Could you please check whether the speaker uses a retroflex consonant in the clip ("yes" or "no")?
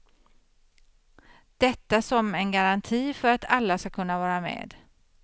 no